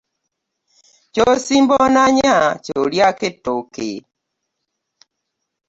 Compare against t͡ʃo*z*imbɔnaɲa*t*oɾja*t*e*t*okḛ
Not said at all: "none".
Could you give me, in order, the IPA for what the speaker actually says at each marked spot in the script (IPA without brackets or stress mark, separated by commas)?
s, t͡ʃ, k, t